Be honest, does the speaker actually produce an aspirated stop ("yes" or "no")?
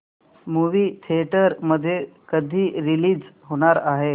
yes